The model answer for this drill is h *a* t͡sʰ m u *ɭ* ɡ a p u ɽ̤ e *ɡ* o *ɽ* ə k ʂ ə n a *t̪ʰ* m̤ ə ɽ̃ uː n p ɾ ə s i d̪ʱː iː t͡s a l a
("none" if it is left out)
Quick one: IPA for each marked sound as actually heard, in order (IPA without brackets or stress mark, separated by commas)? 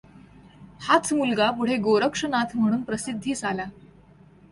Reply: a, l, ɡ, ɾ, t̪ʰ